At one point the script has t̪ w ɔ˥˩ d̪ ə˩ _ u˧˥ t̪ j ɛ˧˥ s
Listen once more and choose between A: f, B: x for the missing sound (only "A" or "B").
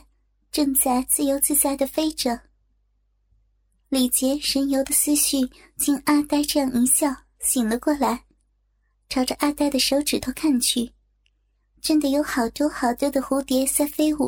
B